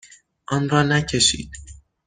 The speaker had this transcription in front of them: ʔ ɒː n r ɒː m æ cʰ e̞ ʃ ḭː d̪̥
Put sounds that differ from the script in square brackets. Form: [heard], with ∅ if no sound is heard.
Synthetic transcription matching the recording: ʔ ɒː n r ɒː [n] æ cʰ e̞ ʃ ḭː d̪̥